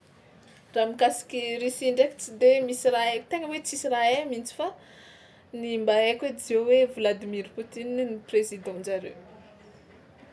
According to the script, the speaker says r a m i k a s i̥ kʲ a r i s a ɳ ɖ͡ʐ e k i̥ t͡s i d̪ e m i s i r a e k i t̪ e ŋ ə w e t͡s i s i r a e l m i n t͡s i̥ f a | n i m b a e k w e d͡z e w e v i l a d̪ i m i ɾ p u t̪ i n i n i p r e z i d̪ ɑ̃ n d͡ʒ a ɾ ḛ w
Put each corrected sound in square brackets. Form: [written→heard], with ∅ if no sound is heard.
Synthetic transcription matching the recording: r a m i k a s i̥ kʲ [a→i] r i s [a→i] ɳ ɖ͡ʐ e k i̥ t͡s i d̪ e m i s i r a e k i t̪ e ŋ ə w e t͡s i s i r a e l m i n t͡s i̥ f a | n i m b a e k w e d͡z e w e v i l a d̪ i m i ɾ p u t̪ i n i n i p r e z i d̪ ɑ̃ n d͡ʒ a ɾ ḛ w